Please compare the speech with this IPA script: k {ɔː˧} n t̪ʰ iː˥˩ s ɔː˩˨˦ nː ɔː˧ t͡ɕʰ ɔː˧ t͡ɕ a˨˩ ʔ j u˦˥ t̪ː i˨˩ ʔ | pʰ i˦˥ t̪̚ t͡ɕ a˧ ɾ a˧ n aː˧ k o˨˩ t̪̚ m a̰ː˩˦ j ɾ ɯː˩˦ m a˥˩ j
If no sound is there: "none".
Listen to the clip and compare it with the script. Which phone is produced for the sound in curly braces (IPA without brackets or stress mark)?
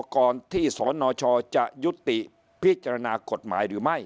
ɔː˧